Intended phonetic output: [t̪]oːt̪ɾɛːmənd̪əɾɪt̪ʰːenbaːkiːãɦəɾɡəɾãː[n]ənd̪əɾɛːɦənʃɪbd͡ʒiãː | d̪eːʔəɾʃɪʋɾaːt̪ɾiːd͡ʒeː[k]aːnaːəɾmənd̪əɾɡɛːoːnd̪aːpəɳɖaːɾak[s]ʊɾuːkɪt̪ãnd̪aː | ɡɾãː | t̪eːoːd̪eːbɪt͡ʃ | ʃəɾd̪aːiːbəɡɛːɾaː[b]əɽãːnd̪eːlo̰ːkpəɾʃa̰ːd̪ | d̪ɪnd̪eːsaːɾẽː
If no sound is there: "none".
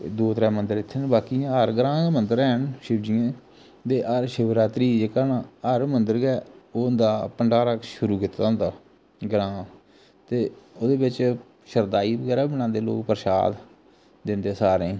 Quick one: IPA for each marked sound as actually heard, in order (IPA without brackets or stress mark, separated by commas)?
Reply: d̪, m, k, ʃ, b